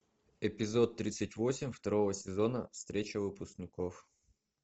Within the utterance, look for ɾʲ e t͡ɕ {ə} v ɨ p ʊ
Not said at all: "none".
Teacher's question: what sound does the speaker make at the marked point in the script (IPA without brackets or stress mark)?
ə